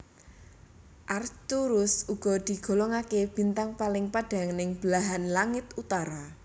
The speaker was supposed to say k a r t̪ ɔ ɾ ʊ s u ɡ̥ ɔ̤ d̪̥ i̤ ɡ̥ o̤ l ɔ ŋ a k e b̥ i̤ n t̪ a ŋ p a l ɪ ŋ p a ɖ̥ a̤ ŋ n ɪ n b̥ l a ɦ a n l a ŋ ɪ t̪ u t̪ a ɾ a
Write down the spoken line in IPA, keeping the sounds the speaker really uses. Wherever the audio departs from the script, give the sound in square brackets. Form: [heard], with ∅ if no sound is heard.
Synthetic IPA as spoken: [ʔ] a r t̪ [u] ɾ ʊ s u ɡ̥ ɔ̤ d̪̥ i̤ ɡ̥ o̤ l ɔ ŋ a k e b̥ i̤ n t̪ a ŋ p a l ɪ ŋ p a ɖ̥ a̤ ŋ n ɪ [ŋ] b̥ l a ɦ a n l a ŋ ɪ t̪ u t̪ a ɾ a